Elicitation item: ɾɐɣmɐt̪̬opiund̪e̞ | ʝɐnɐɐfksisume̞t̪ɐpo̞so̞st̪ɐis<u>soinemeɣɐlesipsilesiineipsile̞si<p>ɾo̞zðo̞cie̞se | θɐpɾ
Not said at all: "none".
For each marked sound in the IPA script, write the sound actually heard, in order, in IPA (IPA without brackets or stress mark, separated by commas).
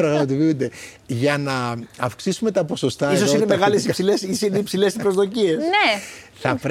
o, p